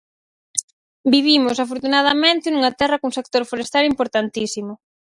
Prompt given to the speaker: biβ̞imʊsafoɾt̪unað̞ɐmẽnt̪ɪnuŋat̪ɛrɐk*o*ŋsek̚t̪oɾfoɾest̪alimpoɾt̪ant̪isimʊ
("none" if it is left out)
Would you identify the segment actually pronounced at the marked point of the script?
u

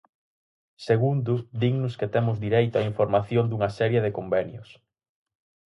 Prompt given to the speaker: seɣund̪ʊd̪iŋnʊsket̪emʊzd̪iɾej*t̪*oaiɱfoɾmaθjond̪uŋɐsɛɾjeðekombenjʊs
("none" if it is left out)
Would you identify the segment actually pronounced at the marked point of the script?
t̪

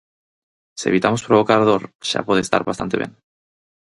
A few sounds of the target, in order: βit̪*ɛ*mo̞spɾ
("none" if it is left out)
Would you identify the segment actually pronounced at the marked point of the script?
a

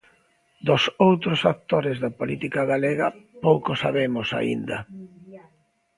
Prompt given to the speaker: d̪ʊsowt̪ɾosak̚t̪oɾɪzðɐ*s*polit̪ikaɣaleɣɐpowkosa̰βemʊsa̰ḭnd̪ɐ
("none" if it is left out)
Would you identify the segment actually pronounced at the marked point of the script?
none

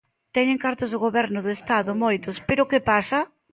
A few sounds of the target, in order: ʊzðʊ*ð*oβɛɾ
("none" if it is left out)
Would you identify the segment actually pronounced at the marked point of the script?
ɣ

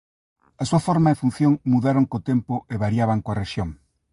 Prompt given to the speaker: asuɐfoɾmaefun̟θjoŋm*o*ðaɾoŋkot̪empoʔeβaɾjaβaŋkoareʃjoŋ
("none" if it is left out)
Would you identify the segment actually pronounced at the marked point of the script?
u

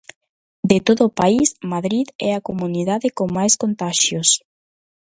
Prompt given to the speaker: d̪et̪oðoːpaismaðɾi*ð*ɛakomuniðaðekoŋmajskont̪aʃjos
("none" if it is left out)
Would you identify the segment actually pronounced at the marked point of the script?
ð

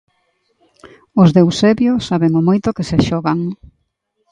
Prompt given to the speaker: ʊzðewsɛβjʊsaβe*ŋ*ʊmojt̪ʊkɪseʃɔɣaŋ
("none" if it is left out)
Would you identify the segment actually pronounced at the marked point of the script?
ŋ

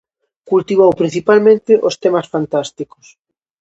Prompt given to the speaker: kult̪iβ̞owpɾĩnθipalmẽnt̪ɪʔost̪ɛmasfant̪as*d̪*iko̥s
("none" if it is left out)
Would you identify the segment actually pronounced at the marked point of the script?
t̪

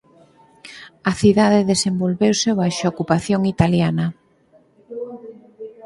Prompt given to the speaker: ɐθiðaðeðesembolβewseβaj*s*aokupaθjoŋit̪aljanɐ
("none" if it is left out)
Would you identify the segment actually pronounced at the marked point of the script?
ʃ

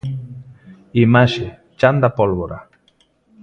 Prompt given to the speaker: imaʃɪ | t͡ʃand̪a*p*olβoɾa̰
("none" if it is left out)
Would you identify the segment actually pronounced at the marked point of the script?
p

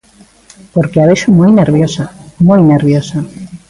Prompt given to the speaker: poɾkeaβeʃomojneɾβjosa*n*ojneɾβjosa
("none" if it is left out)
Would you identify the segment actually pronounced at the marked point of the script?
m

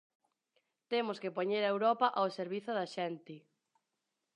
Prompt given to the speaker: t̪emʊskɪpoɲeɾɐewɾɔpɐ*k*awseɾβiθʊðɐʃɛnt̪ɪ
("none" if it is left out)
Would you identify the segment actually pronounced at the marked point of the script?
ʔ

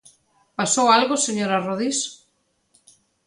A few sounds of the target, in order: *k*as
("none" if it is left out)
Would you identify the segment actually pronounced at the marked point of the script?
p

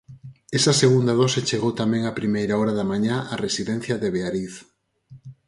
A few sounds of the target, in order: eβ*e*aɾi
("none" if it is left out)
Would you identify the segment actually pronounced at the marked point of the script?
e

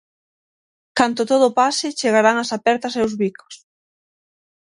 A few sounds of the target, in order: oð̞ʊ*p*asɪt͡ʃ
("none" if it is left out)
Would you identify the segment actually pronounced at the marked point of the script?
p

